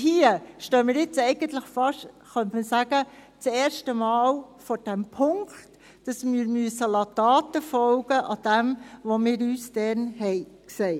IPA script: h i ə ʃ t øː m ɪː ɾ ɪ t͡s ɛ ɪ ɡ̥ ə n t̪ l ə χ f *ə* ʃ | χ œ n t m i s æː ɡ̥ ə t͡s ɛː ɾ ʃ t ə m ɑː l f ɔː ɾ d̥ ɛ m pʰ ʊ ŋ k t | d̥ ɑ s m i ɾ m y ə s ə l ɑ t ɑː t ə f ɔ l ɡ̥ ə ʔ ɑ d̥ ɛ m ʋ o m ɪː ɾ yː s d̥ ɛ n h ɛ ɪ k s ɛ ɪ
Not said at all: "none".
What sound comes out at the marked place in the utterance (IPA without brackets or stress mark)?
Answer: ɑ